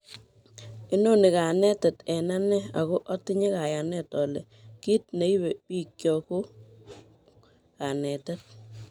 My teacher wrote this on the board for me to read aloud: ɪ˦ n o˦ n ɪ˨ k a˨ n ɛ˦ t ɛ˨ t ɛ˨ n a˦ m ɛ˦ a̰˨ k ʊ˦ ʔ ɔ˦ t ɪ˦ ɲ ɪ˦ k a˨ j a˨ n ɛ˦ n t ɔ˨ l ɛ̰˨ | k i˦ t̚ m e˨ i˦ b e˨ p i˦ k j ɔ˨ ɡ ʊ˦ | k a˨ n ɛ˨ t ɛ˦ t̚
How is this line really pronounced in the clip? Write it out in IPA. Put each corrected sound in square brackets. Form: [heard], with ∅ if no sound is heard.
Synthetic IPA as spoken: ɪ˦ n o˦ n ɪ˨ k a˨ n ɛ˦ t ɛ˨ t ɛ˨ n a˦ [n] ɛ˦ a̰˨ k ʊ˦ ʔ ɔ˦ t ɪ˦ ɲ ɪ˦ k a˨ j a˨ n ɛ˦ [∅] t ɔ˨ l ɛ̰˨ | k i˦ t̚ [n] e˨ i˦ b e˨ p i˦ k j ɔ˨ [k] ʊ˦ | k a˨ n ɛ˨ t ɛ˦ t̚

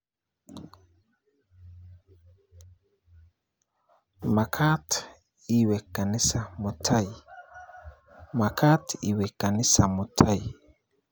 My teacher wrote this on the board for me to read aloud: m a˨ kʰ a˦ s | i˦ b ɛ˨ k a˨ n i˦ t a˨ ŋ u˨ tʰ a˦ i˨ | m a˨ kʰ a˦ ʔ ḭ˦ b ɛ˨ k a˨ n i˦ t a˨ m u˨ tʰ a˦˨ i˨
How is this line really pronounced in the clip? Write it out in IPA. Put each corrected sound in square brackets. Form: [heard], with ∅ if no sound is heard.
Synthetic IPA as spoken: m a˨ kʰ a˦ [t] | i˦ [w] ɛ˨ k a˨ n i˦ [s] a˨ [m] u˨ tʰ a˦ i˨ | m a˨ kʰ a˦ [t] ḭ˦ [w] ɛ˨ k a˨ n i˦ [s] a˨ m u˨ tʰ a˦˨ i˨

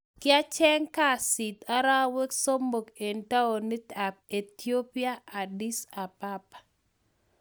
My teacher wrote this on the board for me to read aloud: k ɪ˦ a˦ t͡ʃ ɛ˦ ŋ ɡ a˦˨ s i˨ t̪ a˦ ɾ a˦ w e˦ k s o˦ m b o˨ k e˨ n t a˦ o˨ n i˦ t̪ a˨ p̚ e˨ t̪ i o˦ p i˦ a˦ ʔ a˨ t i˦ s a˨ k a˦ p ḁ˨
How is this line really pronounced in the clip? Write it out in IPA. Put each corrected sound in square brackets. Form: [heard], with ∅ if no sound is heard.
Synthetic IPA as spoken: k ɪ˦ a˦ t͡ʃ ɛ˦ ŋ [k] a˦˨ s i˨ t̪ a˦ ɾ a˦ w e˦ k s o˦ m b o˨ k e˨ n t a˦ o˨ n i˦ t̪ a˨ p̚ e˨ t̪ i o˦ p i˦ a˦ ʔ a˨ [d] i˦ s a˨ [p] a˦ p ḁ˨

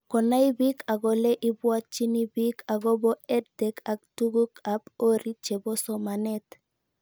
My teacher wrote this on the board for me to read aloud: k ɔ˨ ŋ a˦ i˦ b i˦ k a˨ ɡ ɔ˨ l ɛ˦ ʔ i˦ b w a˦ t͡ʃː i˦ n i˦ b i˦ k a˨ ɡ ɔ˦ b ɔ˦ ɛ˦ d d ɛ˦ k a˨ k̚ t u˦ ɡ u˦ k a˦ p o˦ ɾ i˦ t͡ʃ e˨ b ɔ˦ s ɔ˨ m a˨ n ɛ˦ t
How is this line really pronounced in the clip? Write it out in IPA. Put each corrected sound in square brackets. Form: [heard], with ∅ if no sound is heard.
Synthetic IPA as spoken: k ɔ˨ [n] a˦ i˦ b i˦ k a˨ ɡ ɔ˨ l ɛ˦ ʔ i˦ b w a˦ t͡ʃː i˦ n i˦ b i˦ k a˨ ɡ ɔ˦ b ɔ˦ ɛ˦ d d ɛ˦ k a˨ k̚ t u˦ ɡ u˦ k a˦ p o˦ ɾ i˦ t͡ʃ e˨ b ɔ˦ s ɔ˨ m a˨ n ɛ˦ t

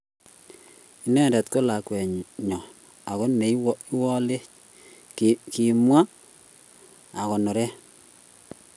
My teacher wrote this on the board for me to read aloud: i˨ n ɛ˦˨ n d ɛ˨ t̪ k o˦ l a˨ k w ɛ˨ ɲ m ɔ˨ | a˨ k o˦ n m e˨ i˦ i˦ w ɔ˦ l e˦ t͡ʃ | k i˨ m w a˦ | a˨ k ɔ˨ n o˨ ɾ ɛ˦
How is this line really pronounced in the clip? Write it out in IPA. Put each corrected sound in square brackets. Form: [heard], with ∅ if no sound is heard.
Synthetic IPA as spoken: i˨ n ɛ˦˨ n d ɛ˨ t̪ k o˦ l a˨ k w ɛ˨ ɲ [ɲ] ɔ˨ | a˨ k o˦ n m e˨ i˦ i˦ w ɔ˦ l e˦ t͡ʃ | k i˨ m w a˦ | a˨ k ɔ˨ n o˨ ɾ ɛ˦

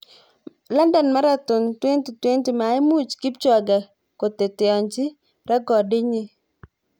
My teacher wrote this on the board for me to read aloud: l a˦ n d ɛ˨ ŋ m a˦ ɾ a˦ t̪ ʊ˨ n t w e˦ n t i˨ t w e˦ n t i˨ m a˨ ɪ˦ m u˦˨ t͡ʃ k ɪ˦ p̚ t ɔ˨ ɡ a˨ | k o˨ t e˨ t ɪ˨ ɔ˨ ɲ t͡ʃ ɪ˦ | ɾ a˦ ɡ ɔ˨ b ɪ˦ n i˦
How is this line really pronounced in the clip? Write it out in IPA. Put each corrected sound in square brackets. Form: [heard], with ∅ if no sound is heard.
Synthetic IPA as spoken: l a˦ n d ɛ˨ [n] m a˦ ɾ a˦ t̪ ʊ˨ n t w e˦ n t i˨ t w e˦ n t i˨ m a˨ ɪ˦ m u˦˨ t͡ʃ k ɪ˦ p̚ [t͡ʃ] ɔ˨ ɡ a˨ | k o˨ t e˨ t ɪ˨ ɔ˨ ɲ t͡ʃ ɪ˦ | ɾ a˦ ɡ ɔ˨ [d] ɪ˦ [ɲ] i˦

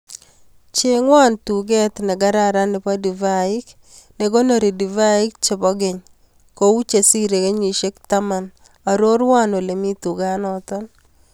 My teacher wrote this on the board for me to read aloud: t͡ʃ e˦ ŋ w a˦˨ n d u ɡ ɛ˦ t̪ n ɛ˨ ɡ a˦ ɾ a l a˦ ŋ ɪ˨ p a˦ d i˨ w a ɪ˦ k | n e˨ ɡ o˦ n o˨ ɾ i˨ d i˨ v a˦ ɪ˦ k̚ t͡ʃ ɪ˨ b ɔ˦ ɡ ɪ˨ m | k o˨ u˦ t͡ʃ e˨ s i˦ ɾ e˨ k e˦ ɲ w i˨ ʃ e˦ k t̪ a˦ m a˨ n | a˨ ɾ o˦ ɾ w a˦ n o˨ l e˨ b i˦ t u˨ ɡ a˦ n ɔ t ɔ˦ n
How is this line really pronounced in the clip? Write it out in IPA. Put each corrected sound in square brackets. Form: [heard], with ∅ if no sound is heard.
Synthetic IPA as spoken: t͡ʃ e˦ ŋ w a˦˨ n [t] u ɡ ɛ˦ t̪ n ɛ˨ ɡ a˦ ɾ a [ɾ] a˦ [n] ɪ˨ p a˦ d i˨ [v] a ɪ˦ k | n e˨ ɡ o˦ n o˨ ɾ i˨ d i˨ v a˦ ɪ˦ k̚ t͡ʃ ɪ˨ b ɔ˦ ɡ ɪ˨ [ɲ] | k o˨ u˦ t͡ʃ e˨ s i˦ ɾ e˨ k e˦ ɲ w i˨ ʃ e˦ k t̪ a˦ m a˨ n | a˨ ɾ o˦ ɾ w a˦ n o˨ l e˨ [m] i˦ t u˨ ɡ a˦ n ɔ t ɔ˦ n

